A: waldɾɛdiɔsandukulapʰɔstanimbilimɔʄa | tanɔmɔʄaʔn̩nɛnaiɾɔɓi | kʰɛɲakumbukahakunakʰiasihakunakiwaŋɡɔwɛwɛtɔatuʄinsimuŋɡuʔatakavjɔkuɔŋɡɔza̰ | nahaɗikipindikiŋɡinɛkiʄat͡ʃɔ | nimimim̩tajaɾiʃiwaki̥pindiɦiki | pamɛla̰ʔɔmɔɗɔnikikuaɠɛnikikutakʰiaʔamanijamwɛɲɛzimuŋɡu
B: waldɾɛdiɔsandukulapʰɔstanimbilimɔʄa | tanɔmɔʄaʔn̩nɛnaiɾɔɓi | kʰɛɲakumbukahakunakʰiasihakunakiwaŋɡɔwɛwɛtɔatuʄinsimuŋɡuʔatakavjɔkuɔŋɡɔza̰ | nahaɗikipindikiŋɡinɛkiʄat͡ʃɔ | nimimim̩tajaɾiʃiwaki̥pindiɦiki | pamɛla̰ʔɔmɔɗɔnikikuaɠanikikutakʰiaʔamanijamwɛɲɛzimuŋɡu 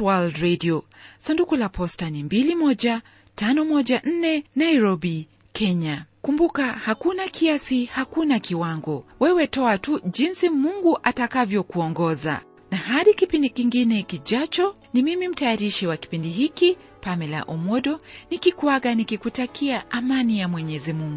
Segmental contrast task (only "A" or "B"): B